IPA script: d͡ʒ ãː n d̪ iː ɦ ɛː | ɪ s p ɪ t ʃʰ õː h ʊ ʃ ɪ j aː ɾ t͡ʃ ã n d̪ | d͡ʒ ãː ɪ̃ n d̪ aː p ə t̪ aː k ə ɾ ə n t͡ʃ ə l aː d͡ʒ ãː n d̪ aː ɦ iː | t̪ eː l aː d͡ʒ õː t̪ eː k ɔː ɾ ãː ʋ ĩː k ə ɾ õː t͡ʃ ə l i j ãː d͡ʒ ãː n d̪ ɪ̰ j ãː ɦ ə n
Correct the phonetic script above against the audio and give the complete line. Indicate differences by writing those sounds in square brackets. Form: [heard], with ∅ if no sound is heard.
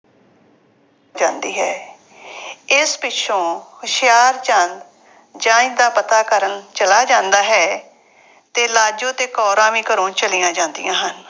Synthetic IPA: d͡ʒ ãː n d̪ iː ɦ ɛː | ɪ s p ɪ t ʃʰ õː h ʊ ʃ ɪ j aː ɾ t͡ʃ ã n d̪ | d͡ʒ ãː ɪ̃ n d̪ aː p ə t̪ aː k ə ɾ ə n t͡ʃ ə l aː d͡ʒ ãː n d̪ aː ɦ [ɛː] | t̪ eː l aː d͡ʒ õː t̪ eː k ɔː ɾ ãː ʋ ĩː k ə ɾ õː t͡ʃ ə l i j ãː d͡ʒ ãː n d̪ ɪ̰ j ãː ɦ ə n